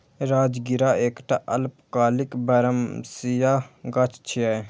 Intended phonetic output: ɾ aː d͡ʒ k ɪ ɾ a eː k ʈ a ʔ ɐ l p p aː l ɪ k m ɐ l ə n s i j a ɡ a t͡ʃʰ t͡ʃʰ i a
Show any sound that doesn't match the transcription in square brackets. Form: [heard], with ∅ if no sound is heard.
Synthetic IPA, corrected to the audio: ɾ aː d͡ʒ [ɡ] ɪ ɾ a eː k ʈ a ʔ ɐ l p [k] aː l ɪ k [b] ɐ [ɾ] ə [m] s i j a ɡ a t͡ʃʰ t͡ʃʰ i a